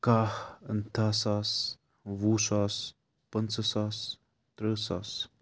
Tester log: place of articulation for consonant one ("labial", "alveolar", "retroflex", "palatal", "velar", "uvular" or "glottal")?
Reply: velar